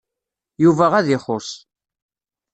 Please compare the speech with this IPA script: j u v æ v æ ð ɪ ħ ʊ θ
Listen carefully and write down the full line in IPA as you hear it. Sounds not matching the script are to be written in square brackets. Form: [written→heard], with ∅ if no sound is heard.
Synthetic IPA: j u v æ [v→ʁ] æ ð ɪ [ħ→χ] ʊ [θ→s]